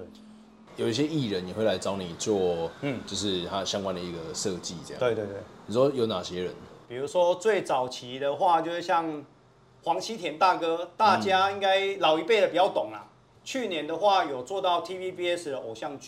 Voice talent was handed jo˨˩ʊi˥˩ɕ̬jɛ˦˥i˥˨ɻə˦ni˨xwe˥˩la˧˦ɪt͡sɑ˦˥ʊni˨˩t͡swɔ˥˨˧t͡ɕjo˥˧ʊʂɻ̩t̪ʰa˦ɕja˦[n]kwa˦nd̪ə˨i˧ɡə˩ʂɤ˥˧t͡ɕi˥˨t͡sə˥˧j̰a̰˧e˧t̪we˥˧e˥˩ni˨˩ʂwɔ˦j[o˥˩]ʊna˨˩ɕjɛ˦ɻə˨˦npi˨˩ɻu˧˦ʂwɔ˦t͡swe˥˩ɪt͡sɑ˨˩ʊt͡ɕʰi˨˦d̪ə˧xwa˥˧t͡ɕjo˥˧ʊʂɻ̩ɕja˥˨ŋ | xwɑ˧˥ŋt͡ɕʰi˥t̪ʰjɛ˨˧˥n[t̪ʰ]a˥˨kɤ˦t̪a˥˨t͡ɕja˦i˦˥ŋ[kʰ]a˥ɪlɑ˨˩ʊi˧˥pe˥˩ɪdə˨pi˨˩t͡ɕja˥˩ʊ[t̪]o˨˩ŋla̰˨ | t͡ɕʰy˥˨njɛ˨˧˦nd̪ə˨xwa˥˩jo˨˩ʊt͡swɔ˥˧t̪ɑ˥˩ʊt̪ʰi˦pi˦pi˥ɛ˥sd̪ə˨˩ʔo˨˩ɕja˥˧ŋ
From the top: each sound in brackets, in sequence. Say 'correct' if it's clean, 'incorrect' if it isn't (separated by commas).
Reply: incorrect, incorrect, incorrect, incorrect, correct